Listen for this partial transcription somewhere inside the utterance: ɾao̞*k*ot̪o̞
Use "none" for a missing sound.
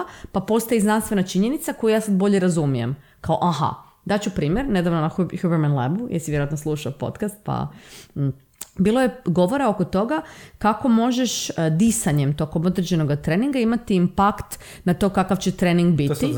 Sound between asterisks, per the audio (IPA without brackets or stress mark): k